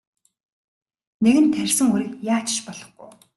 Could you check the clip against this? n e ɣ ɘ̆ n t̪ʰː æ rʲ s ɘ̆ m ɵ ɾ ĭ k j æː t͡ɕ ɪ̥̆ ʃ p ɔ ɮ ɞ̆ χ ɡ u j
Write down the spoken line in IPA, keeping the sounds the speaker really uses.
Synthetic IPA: n e ɣ ɘ̆ n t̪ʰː æ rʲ s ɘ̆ ŋ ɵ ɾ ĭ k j aː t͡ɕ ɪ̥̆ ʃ p ɔ ɮ ɞ̆ χ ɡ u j